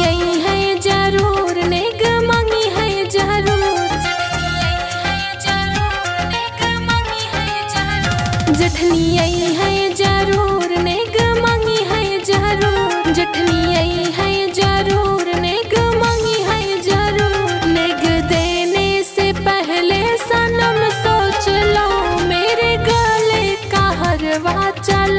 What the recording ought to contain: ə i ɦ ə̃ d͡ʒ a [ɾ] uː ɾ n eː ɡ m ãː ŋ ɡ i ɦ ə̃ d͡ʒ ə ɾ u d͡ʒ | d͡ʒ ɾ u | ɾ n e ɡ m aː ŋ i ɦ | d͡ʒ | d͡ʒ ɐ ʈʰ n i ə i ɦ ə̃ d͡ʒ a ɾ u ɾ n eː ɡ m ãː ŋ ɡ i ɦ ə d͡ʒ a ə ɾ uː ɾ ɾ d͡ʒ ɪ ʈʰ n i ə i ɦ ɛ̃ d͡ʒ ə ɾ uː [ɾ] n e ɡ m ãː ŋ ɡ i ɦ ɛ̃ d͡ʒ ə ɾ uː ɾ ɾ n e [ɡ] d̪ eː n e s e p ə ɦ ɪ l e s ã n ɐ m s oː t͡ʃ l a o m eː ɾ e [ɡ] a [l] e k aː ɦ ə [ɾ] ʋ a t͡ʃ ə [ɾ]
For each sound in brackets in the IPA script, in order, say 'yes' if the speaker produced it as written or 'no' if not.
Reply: yes, yes, yes, yes, yes, yes, no

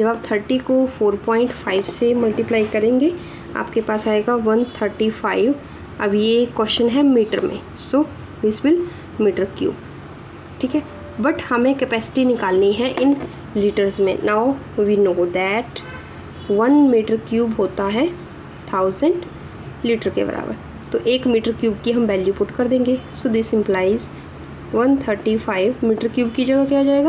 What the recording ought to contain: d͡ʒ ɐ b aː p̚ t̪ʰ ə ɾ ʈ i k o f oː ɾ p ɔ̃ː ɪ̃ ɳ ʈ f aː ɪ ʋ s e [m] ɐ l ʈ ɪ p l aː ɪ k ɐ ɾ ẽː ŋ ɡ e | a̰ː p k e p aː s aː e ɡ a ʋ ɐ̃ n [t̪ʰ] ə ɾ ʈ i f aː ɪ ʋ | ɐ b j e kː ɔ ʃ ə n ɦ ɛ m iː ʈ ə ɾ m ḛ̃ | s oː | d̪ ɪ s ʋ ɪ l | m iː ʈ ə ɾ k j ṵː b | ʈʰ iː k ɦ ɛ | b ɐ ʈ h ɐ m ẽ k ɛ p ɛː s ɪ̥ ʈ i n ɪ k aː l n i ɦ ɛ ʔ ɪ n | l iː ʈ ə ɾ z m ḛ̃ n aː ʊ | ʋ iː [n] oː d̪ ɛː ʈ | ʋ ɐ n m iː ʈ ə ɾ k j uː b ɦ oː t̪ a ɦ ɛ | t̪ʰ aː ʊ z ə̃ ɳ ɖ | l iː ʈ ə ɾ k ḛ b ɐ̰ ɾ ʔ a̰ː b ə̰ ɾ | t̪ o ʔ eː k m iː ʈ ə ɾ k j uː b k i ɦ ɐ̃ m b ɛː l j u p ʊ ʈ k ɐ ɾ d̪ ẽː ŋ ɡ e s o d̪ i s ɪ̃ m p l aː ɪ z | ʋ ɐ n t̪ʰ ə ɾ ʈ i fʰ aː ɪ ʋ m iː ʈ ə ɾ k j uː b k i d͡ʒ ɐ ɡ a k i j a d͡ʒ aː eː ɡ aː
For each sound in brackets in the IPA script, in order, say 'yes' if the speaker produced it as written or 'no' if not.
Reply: yes, yes, yes

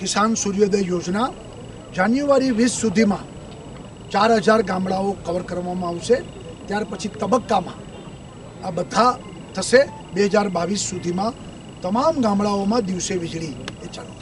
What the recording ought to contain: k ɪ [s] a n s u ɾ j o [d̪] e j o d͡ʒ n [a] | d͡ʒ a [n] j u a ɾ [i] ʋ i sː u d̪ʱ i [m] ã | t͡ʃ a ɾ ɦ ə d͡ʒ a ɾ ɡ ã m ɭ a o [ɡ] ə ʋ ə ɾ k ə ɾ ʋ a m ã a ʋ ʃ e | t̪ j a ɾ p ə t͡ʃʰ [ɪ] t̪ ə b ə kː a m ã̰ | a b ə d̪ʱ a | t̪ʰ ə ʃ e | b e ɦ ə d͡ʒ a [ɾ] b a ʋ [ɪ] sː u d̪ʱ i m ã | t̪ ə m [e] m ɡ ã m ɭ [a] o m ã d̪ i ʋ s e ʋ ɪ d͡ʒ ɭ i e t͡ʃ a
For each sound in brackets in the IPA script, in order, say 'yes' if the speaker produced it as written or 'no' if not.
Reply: yes, yes, yes, yes, yes, yes, no, no, yes, no, no, yes

